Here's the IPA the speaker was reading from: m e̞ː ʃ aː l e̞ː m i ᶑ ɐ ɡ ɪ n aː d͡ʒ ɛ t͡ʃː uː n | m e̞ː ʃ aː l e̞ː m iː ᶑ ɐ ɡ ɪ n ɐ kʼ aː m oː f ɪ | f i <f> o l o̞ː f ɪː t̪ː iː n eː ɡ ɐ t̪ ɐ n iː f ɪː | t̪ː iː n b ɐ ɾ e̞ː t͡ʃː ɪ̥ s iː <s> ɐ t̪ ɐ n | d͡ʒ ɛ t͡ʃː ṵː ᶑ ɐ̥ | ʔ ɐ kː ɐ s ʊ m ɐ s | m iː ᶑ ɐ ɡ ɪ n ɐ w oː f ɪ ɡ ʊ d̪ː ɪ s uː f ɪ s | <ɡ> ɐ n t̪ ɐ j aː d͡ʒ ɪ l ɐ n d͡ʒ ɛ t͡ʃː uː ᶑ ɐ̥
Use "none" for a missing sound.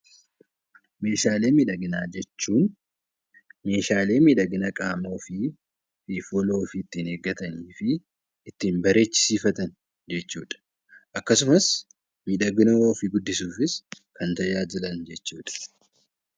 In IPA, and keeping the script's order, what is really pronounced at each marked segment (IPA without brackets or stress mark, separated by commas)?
f, f, k